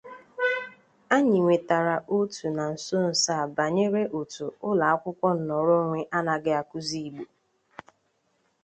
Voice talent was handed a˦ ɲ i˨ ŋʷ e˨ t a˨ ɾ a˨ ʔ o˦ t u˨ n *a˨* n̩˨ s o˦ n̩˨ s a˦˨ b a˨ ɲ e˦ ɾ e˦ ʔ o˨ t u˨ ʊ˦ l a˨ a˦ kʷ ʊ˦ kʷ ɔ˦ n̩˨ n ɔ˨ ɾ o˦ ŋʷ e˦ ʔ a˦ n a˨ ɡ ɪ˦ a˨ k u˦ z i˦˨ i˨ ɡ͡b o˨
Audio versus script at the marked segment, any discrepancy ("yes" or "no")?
no